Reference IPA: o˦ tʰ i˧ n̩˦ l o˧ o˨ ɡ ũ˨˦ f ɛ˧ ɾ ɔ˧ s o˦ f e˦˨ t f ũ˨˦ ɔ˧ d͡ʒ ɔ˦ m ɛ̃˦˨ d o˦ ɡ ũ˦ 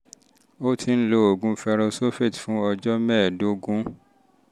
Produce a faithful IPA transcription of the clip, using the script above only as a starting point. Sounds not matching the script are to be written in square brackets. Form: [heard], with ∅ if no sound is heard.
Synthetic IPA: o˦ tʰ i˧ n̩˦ l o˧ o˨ ɡ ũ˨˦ f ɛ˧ ɾ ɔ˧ s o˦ f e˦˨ t f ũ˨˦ ɔ˧ d͡ʒ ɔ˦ m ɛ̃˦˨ d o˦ ɡ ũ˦